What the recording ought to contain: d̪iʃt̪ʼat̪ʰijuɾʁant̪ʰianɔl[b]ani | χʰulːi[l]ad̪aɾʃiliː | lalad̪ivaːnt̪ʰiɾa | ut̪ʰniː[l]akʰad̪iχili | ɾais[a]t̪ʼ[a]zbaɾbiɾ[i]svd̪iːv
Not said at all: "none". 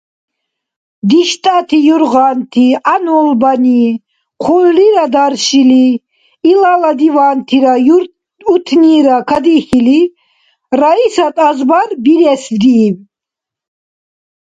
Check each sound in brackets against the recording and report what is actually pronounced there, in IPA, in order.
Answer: b, ɾ, ɾ, a, a, ɛ

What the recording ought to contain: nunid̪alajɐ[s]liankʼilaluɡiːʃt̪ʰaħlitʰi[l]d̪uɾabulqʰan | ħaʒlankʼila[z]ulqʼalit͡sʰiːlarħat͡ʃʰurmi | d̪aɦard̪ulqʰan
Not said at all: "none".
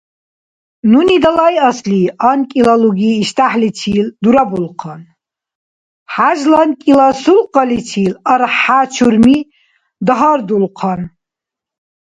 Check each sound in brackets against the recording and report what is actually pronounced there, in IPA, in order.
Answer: s, l, s

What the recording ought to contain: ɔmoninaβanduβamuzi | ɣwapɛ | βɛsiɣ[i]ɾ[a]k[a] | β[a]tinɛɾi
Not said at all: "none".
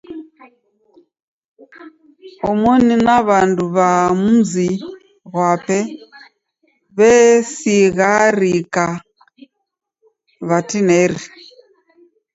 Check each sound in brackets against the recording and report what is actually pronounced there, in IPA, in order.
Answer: a, i, a, a

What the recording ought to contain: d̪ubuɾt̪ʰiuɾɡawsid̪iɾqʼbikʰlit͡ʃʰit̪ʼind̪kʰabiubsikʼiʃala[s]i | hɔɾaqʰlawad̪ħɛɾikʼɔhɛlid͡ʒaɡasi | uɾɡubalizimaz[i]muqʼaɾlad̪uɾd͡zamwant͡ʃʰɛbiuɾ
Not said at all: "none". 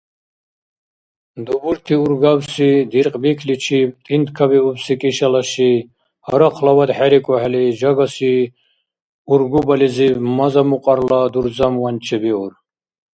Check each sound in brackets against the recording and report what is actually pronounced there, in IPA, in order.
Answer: ʃ, a

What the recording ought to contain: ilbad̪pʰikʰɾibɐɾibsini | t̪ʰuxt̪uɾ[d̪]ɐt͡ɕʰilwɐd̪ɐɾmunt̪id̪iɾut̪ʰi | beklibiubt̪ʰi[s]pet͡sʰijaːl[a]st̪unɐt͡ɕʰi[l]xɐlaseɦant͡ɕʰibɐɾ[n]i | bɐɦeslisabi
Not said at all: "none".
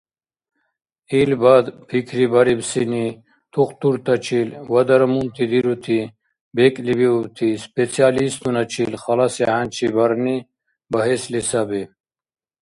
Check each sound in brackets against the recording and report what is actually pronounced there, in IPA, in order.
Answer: t̪, s, i, l, n

